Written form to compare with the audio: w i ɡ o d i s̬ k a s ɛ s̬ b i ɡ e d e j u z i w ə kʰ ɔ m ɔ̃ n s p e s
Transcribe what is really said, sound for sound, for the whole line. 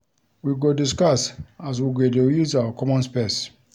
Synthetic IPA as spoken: w i ɡ o d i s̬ k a s a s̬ w i ɡ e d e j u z a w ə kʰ ɔ m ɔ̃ n s p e s